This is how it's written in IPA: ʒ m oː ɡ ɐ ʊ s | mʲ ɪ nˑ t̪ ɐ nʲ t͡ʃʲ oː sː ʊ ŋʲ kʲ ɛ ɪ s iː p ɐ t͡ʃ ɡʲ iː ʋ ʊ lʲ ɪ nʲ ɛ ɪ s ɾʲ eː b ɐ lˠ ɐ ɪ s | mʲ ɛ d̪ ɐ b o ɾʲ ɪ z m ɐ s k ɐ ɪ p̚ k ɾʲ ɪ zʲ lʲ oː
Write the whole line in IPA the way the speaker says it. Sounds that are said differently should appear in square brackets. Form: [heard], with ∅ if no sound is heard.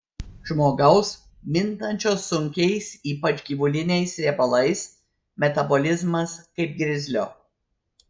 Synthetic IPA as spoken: ʒ m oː ɡ ɐ ʊ s | mʲ ɪ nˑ t̪ ɐ nʲ t͡ʃʲ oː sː ʊ ŋʲ kʲ ɛ ɪ s iː p ɐ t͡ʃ ɡʲ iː ʋ ʊ lʲ ɪ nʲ ɛ ɪ s ɾʲ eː b ɐ lˠ ɐ ɪ s | mʲ ɛ [t̪] ɐ b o [lʲ] ɪ z m ɐ s k ɐ ɪ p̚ [ɡ] ɾʲ ɪ zʲ lʲ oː